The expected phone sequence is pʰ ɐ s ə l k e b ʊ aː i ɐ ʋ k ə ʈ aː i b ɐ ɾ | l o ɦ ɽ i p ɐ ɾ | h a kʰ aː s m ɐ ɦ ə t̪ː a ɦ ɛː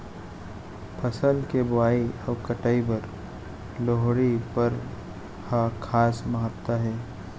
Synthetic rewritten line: pʰ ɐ s ə l k e b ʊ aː i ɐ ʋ k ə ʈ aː i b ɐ ɾ | l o ɦ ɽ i p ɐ ɾ | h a kʰ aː s m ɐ ɦ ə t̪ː a ɦ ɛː

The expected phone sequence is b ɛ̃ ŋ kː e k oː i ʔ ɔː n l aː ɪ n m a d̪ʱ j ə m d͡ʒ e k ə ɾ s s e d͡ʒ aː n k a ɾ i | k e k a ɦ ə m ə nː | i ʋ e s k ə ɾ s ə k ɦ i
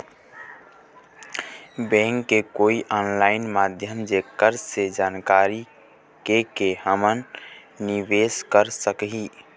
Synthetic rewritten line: b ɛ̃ ŋ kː e k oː i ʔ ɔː n l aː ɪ n m a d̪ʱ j ə m d͡ʒ e k ə ɾ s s e d͡ʒ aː n k a ɾ i | k e k e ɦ ə m ə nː | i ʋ e s k ə ɾ s ə k ɦ i

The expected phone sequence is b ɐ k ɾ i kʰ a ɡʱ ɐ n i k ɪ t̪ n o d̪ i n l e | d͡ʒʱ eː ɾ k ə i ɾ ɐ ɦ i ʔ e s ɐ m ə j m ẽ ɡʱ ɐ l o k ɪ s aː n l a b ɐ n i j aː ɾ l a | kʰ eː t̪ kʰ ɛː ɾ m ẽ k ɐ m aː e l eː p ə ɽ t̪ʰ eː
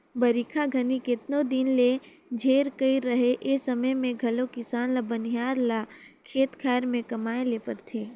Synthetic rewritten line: b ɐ ɾ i kʰ a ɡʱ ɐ n i k ɪ t̪ n o d̪ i n l e | d͡ʒʱ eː ɾ k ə i ɾ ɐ ɦ e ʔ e s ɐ m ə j m ẽ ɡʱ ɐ l o k ɪ s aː n l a b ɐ n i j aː ɾ l a | kʰ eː t̪ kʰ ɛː ɾ m ẽ k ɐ m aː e l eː p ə ɾ t̪ʰ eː

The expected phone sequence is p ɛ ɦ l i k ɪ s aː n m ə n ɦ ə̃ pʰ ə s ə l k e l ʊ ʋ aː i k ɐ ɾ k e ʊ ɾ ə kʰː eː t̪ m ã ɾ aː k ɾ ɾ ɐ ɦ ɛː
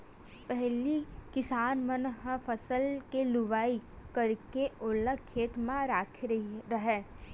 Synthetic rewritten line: p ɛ ɦ l i k ɪ s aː n m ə n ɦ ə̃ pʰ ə s ə l k e l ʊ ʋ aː i k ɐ ɾ k e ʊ l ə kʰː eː t̪ m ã ɾ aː kʰ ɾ ɾ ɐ ɦ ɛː

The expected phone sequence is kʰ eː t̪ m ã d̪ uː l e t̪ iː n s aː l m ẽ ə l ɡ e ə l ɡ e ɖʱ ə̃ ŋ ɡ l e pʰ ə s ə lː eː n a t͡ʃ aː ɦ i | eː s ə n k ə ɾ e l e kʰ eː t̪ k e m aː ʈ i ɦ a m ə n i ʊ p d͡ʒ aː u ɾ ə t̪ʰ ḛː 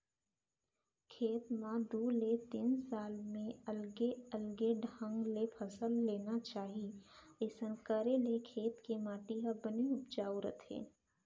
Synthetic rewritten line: kʰ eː t̪ m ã d̪ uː l e t̪ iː n s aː l m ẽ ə l ɡ e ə l ɡ e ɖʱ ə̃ ŋ ɡ l e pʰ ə s ə lː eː n a t͡ʃ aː ɦ i | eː s ə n k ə ɾ e l e kʰ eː t̪ k e m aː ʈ i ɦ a b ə n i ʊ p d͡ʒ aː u ɾ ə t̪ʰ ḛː

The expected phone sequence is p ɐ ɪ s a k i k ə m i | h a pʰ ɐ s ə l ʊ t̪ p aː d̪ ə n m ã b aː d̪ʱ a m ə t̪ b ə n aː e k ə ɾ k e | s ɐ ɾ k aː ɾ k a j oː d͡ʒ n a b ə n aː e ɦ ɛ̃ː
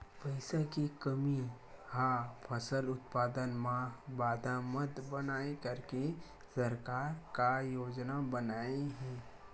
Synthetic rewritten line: p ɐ ɪ s a k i k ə m i | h a pʰ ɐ s ə l ʊ t̪ p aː d̪ ə n m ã b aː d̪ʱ a m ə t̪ b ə n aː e k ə ɾ k e | s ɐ ɾ k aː ɾ k a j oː d͡ʒ n a b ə n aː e ɦ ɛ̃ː

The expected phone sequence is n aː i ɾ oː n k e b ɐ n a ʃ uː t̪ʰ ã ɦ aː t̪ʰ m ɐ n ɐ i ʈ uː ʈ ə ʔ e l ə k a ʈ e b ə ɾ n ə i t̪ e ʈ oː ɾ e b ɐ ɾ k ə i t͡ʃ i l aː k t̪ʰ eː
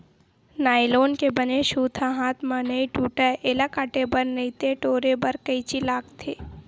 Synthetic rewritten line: n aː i l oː n k e b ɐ n e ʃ uː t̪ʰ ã ɦ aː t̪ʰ m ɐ n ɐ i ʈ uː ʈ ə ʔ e l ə k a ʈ e b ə ɾ n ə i t̪ e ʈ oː ɾ e b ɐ ɾ k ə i t͡ʃ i l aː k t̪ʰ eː

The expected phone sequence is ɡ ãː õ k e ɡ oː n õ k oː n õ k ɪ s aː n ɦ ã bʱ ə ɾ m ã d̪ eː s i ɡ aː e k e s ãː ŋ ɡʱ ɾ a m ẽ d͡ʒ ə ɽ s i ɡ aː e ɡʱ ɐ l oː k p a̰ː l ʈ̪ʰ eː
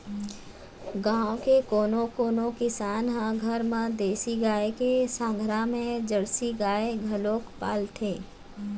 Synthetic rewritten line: ɡ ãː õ k e k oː n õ k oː n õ k ɪ s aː n ɦ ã ɡʱ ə ɾ m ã d̪ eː s i ɡ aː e k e s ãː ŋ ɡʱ ɾ a m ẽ d͡ʒ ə ɽ s i ɡ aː e ɡʱ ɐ l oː k p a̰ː l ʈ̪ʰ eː

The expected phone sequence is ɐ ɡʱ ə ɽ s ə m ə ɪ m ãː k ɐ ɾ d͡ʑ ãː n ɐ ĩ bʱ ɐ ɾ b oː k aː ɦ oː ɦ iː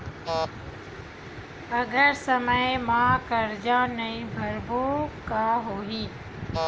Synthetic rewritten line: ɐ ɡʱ ə ɾ s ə m ə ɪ m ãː k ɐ ɾ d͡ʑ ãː n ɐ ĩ bʱ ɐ ɾ b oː k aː ɦ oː ɦ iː

